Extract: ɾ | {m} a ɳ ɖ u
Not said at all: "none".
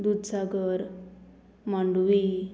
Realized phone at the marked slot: m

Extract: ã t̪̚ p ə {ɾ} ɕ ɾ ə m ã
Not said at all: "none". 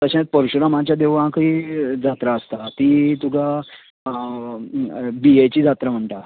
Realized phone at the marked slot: ɾ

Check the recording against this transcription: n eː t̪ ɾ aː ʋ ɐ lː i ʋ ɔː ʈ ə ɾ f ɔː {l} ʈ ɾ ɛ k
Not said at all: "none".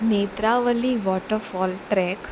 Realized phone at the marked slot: l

